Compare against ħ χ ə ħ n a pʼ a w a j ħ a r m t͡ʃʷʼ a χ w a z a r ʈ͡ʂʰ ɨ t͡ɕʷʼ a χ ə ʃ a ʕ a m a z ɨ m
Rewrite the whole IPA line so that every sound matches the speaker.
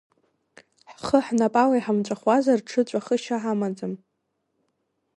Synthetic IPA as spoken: ħ χ ə ħ n a pʼ a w a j ħ a m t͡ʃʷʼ a χ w a z a r ʈ͡ʂʰ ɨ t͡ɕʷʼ a χ ə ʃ a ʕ a m a d͡z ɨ m